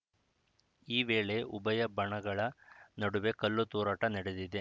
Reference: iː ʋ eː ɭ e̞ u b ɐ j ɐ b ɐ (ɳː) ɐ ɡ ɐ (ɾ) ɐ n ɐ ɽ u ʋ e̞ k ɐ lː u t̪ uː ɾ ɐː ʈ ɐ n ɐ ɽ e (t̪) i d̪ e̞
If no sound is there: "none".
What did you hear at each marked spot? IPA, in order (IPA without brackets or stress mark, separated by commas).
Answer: ɳ, ɭ, d̪